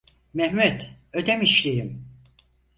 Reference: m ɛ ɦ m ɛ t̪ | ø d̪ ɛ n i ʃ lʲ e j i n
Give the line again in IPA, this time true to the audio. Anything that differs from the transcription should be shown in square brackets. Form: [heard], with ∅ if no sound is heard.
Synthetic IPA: m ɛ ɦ m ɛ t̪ | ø d̪ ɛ [m] i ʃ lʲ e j i [m]